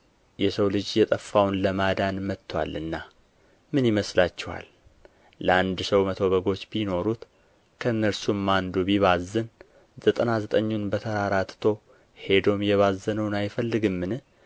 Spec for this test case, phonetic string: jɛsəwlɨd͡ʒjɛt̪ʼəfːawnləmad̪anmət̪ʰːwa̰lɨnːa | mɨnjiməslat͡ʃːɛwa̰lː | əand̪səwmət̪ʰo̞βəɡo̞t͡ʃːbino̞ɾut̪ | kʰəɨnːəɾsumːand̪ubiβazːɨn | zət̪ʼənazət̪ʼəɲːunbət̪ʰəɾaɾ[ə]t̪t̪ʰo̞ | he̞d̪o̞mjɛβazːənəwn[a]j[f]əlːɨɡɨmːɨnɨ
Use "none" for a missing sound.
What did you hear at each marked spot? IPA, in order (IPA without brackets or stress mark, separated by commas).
a, a, f